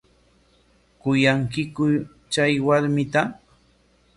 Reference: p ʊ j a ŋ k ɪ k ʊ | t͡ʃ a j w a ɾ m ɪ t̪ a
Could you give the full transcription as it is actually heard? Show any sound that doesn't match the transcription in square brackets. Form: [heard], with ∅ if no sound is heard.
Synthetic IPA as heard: [k] ʊ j a ŋ k ɪ k ʊ | t͡ʃ a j w a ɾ m ɪ t̪ a